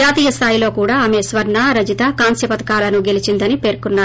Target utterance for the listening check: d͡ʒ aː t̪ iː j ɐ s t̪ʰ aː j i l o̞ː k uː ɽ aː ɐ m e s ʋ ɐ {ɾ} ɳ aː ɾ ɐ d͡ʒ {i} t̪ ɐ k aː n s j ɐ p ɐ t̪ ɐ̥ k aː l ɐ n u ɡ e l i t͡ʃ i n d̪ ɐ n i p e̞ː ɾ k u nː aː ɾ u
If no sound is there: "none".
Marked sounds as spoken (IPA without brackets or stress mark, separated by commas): ɾ, i